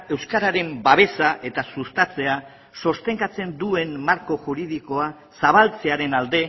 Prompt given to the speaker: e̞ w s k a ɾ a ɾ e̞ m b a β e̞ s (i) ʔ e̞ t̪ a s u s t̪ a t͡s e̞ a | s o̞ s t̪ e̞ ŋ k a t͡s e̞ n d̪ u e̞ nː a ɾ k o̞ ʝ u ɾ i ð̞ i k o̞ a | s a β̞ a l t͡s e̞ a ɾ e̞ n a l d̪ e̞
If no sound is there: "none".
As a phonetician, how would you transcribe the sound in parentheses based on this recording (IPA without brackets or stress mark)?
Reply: a